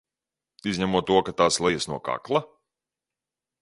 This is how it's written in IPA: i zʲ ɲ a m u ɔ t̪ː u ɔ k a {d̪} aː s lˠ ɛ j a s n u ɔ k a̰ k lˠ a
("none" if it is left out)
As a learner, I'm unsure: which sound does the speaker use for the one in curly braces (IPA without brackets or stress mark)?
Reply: t̪